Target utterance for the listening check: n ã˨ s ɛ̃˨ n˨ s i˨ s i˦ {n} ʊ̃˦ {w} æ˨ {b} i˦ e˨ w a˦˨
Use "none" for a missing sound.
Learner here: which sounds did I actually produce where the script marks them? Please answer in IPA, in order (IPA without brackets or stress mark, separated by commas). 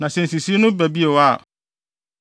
n, b, b